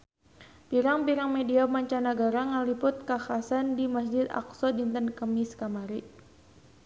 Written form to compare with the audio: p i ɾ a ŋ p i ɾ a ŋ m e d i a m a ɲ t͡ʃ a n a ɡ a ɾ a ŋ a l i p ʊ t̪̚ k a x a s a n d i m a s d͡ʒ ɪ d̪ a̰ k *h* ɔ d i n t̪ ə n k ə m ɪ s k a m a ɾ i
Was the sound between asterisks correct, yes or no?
no